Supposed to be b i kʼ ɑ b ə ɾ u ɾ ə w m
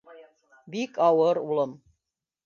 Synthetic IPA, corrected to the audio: b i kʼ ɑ w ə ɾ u l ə m